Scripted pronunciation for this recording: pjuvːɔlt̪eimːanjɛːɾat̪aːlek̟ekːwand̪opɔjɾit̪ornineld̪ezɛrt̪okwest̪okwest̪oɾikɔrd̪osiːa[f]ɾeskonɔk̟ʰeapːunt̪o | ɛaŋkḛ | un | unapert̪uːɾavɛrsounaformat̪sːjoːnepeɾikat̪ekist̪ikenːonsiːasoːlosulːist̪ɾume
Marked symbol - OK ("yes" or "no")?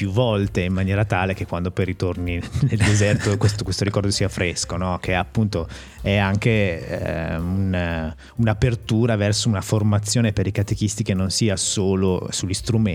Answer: yes